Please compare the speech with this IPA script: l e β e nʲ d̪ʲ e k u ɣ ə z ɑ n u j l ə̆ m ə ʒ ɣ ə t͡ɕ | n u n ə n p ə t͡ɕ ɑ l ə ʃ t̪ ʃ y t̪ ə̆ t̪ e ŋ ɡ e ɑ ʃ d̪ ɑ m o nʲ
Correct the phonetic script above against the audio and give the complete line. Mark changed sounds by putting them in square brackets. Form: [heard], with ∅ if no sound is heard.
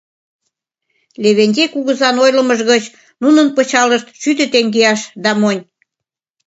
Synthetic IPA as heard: l e β e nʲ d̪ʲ e k u ɣ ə z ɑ n [o] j l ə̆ m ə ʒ ɣ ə t͡ɕ | n u n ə n p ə t͡ɕ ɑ l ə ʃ t̪ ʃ y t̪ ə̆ t̪ e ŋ ɡ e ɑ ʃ d̪ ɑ m o nʲ